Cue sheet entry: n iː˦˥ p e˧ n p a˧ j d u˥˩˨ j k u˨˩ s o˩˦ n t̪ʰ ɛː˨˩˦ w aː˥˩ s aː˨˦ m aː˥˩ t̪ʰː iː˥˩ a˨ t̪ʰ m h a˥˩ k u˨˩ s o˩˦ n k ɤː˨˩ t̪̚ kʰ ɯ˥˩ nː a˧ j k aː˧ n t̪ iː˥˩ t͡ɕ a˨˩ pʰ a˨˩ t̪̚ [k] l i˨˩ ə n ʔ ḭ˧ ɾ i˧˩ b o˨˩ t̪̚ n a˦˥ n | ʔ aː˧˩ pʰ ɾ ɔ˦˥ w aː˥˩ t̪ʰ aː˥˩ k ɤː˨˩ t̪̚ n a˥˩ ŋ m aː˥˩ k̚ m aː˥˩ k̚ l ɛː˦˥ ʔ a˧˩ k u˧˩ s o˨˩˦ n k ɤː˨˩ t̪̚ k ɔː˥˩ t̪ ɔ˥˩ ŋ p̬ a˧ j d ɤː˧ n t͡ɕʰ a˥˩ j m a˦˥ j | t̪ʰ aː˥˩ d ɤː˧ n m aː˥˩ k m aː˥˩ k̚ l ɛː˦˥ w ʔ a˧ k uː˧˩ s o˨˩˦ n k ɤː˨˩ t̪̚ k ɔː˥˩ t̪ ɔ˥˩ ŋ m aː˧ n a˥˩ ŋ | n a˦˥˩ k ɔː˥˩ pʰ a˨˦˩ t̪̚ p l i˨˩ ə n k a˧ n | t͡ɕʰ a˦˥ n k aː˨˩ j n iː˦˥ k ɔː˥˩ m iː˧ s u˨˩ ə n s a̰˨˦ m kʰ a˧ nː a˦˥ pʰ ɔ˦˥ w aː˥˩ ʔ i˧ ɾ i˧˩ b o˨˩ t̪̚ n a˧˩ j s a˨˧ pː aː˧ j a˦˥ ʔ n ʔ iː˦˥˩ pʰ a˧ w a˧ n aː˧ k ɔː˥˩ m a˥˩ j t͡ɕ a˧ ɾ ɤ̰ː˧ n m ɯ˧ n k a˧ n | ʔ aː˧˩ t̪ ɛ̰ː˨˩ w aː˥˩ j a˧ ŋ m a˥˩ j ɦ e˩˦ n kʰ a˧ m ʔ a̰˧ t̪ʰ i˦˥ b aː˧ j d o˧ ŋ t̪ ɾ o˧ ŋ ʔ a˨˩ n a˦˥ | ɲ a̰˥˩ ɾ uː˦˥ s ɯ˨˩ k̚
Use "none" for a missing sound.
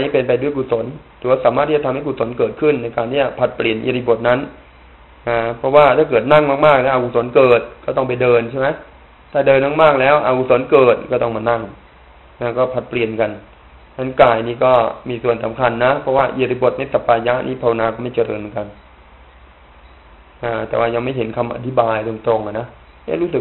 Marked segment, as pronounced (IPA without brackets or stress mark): p